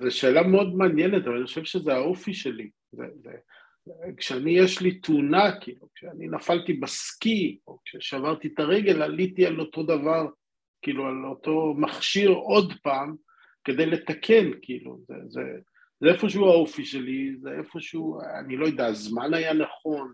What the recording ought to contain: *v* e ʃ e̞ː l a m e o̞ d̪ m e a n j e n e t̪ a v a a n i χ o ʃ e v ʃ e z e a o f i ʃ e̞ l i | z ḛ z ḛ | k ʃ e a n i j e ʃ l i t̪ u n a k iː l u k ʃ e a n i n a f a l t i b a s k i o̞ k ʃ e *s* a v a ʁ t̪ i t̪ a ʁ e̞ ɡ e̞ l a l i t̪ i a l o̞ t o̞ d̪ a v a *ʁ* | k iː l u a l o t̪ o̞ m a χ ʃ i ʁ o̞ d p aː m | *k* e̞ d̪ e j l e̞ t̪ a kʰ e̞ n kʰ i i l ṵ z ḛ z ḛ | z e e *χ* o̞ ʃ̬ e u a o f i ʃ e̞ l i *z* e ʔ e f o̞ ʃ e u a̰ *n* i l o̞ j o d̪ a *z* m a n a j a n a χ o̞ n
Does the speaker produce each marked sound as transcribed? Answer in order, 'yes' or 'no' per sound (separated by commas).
no, no, yes, yes, no, yes, yes, yes